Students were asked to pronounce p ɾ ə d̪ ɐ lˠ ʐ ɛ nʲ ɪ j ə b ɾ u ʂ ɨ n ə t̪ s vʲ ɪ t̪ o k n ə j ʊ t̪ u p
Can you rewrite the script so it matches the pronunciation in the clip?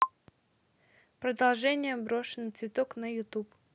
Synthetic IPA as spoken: p ɾ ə d̪ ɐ lˠ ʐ ɛ nʲ ɪ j ə b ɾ o ʂ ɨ n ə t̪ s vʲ ɪ t̪ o k n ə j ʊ t̪ u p